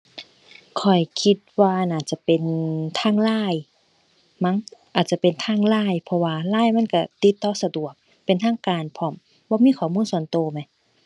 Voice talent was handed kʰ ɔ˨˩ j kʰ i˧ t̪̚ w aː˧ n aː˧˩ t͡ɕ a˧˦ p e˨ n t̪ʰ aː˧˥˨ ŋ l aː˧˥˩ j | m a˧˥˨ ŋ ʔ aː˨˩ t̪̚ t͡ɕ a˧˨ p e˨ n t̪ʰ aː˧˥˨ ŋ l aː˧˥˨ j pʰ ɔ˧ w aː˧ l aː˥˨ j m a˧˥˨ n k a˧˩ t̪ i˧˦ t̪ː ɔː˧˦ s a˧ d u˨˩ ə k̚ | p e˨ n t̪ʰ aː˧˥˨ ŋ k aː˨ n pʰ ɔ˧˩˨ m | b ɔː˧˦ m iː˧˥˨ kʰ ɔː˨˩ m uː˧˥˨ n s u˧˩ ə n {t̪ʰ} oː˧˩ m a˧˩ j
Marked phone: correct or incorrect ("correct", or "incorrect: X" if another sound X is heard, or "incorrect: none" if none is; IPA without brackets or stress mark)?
incorrect: t̪